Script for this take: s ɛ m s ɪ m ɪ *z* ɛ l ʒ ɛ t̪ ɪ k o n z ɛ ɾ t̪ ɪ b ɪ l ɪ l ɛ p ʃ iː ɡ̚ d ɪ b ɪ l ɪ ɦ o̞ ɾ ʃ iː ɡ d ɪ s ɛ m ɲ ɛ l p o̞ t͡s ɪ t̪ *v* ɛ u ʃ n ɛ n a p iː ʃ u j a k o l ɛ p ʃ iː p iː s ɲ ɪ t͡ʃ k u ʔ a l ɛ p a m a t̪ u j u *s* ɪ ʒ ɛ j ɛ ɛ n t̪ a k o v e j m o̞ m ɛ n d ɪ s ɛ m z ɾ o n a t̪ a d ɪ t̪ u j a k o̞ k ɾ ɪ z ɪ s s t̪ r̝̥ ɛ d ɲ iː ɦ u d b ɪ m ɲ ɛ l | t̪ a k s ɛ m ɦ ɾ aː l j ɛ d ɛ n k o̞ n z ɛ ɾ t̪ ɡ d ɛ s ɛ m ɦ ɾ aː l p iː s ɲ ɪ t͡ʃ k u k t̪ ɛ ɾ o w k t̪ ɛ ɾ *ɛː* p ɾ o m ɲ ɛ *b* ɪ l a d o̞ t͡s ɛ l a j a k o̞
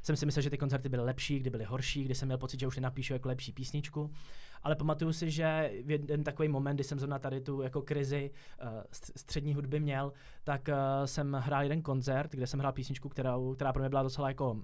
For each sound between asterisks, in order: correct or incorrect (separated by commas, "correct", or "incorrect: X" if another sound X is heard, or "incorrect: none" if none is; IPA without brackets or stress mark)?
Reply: incorrect: s, incorrect: ʒ, correct, incorrect: aː, correct